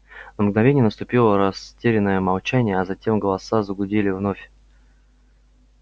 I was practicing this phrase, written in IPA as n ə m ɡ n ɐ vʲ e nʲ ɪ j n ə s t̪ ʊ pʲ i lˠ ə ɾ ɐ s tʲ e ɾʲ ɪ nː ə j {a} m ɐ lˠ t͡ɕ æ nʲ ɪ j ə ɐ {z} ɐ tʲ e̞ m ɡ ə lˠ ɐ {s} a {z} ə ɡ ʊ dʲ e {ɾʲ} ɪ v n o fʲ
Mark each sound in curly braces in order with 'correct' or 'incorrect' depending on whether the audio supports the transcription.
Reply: incorrect: ə, correct, correct, correct, incorrect: lʲ

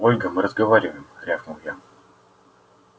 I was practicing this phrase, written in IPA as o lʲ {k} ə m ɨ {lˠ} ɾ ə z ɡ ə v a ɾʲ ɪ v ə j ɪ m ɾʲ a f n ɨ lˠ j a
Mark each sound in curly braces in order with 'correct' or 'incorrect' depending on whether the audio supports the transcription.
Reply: incorrect: ɡ, incorrect: none

